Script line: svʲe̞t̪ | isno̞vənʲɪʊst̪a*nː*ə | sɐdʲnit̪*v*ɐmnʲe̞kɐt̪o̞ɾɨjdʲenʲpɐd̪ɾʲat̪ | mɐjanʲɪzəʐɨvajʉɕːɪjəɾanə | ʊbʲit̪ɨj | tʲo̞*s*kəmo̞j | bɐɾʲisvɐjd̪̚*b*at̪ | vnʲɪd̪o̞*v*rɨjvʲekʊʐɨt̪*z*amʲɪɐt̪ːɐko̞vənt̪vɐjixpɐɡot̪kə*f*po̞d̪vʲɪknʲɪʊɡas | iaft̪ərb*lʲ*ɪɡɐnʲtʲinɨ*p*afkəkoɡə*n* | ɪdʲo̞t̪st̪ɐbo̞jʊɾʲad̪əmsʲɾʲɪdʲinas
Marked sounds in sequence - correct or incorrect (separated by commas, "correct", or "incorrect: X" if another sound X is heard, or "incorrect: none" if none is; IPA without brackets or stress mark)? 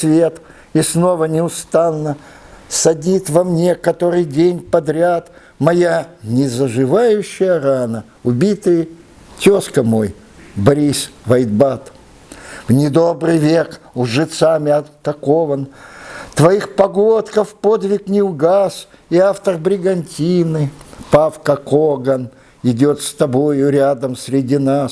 correct, correct, correct, correct, incorrect: b, incorrect: s, correct, incorrect: ɾʲ, correct, correct